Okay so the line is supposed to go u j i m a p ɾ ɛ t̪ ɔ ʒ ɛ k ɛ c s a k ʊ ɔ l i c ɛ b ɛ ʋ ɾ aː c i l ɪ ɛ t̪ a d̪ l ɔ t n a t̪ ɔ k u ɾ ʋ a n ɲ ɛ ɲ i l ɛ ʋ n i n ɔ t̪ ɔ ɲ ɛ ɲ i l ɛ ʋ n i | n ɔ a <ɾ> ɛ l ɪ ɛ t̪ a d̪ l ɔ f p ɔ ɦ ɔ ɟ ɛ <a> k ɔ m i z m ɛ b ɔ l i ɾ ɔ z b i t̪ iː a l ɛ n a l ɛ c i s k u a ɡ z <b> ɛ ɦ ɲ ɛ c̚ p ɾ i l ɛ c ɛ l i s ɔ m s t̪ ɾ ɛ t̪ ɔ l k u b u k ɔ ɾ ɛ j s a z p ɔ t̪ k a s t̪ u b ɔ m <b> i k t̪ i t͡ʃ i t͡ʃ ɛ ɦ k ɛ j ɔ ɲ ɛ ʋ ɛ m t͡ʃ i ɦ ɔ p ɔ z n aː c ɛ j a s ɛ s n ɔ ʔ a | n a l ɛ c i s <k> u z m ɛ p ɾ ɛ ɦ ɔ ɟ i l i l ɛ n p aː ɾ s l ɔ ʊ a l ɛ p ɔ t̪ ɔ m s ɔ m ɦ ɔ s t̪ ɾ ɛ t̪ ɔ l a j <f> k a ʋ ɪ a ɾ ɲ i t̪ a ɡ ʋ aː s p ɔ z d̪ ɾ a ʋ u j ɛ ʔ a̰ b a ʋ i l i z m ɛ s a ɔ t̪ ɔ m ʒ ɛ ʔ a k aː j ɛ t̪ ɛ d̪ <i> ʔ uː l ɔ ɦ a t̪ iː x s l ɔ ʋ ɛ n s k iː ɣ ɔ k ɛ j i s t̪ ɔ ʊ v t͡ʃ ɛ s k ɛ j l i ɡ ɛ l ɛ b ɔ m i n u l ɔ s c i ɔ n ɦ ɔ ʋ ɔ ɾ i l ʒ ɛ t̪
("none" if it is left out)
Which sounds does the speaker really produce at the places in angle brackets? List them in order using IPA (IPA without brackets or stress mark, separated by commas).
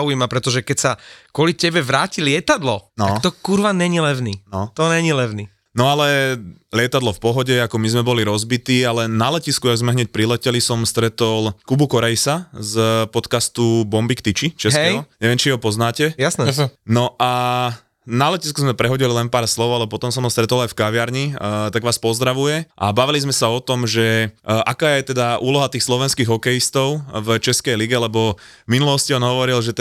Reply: l, a, m, b, k, f, a